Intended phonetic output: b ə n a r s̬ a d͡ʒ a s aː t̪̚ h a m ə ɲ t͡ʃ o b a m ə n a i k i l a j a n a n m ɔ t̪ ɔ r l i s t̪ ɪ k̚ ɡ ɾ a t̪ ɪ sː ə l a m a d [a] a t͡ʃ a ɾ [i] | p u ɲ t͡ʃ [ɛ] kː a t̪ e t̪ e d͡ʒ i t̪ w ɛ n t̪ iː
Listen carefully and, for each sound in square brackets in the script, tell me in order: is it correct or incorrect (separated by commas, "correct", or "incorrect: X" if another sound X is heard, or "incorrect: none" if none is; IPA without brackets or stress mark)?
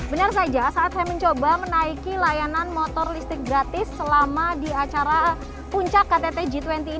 incorrect: i, incorrect: a, incorrect: a